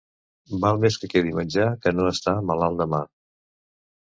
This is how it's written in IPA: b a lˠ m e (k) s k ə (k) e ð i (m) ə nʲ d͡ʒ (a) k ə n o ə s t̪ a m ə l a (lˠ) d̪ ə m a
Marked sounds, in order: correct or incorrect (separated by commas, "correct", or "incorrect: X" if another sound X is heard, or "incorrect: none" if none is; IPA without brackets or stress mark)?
incorrect: none, correct, correct, correct, correct